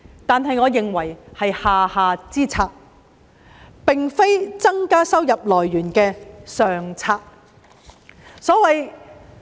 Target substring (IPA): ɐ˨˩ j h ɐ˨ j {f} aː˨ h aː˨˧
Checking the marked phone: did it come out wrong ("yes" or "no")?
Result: yes